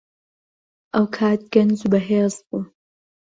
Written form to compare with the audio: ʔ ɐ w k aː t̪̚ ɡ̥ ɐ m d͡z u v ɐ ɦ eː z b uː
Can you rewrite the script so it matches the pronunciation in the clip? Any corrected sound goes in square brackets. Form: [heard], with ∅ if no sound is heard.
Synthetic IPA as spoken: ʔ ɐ w [kʰ] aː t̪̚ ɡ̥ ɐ [n] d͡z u [b] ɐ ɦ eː z b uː